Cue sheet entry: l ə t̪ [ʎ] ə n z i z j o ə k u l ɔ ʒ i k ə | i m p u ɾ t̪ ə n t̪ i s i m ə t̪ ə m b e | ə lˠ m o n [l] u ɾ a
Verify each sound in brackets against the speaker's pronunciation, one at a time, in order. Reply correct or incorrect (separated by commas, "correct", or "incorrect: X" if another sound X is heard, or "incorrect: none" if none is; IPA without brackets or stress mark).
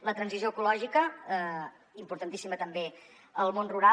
incorrect: ɾ, incorrect: r